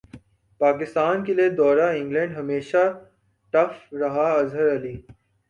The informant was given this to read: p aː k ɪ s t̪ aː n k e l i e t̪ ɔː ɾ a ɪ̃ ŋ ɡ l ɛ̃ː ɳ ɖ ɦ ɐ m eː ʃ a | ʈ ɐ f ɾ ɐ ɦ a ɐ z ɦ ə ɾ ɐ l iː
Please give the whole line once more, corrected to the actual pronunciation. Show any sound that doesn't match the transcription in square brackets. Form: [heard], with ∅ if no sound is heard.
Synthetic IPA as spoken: p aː k ɪ s t̪ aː n k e l i e [d̪] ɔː ɾ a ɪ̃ ŋ ɡ l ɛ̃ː ɳ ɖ ɦ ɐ m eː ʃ a | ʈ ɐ f ɾ ɐ ɦ a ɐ z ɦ ə ɾ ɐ l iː